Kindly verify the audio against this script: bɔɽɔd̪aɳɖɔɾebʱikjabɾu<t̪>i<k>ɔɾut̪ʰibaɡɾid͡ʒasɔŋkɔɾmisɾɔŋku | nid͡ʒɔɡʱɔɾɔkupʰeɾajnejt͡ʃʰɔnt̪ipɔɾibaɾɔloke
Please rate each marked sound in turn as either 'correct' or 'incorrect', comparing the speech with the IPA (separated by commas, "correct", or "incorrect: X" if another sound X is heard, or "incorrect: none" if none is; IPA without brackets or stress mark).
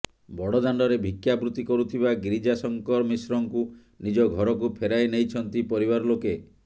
correct, correct